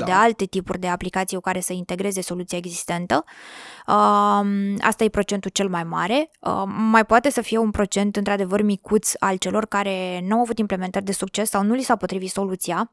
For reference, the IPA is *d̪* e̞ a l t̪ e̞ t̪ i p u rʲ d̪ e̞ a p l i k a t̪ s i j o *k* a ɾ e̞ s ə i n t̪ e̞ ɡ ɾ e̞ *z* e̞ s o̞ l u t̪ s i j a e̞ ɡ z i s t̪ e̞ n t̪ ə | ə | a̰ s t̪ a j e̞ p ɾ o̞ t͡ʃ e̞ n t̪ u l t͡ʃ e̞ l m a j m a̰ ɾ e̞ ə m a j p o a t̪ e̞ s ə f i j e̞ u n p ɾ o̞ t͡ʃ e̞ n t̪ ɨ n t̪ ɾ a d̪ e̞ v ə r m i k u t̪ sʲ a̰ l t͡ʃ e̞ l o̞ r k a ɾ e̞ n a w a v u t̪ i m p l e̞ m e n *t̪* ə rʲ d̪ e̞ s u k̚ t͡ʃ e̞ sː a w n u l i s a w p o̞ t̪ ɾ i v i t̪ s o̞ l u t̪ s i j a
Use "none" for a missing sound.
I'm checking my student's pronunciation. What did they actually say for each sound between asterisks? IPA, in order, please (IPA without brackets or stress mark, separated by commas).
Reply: d̪, k, z, t̪